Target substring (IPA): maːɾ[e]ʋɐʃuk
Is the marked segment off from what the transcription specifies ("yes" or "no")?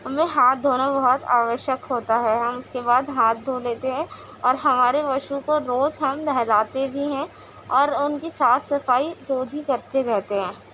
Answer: no